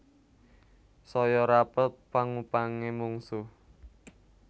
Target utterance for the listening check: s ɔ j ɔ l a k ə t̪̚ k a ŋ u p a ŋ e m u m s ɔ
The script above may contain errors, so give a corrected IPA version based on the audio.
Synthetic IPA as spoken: s ɔ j ɔ ɾ a p ə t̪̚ p a ŋ u p a ŋ e m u ŋ s u